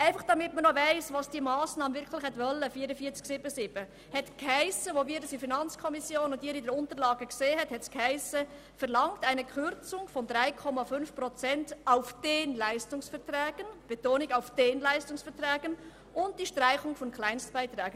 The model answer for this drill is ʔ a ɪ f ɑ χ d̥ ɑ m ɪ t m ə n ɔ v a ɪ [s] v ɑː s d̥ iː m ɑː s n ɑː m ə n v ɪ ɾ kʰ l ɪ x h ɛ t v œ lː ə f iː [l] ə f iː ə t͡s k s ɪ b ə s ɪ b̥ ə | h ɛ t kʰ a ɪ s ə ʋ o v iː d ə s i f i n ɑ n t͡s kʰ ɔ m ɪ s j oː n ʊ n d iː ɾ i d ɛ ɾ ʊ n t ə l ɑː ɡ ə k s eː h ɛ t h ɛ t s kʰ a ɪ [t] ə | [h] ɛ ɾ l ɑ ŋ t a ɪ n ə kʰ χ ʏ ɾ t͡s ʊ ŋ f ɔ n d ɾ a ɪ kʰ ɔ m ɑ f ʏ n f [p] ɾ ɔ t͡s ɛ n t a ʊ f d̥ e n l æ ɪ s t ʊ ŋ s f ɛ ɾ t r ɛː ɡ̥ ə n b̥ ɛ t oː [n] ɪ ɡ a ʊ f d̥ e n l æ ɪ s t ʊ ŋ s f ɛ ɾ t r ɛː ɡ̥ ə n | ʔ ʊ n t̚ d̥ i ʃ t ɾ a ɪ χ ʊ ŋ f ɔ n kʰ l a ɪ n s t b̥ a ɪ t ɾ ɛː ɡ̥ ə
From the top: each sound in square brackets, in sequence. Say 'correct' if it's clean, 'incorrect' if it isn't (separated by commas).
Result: correct, incorrect, incorrect, incorrect, correct, correct